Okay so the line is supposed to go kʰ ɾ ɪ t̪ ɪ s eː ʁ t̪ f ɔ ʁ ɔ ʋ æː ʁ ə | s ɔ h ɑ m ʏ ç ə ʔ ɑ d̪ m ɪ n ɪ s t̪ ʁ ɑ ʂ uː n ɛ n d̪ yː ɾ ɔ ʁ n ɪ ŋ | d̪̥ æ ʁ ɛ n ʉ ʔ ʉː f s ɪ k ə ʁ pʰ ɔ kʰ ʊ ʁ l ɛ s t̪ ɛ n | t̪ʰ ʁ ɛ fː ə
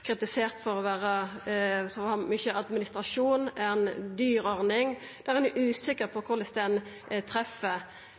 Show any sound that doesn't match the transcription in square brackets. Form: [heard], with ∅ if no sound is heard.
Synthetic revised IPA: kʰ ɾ ɪ t̪ ɪ s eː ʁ t̪ f ɔ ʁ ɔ ʋ æː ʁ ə | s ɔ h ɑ m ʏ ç ə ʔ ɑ d̪ m ɪ n ɪ s t̪ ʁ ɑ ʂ uː n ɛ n d̪ yː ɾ ɔ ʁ n ɪ ŋ | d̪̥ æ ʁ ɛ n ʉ ʔ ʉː [∅] s ɪ k ə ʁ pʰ ɔ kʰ ʊ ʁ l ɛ s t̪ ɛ n | t̪ʰ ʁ ɛ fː ə